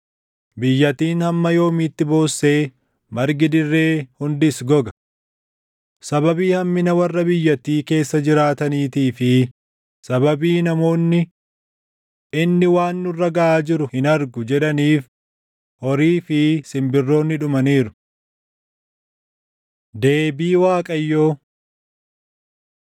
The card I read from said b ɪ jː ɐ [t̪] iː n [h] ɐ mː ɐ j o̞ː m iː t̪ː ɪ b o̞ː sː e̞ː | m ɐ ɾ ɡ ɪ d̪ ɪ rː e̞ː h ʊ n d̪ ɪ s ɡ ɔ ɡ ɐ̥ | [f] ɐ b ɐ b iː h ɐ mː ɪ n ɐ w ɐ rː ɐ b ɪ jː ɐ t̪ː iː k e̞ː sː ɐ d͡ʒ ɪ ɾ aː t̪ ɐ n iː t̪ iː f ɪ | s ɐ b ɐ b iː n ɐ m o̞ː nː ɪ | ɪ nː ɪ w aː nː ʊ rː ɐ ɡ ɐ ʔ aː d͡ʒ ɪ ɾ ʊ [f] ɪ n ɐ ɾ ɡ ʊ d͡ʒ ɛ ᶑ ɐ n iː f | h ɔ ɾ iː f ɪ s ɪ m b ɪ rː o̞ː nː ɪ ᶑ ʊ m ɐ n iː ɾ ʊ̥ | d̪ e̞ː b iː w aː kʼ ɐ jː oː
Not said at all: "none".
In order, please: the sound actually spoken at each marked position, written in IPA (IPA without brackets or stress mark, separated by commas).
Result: t̪, h, s, h